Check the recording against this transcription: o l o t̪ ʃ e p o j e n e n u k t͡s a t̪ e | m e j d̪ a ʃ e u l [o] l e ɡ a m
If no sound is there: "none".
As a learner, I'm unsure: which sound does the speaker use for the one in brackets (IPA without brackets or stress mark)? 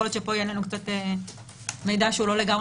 o